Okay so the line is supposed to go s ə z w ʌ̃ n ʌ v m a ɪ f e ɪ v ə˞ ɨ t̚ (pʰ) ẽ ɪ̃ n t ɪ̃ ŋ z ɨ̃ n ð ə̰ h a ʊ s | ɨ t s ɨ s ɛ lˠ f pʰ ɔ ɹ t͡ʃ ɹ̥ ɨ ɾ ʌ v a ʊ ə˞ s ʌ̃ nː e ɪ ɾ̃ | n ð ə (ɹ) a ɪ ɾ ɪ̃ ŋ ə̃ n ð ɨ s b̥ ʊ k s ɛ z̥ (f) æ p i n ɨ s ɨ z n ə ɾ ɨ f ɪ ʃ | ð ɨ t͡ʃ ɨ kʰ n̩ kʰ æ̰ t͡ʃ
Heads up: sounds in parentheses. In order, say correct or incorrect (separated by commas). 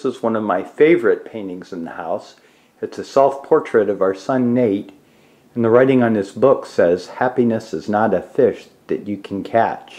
correct, correct, incorrect